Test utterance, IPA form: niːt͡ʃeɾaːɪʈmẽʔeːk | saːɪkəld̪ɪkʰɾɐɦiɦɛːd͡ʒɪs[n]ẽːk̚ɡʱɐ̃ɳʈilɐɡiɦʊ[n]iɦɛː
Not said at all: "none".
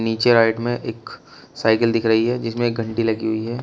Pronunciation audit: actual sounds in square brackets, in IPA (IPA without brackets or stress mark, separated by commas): m, none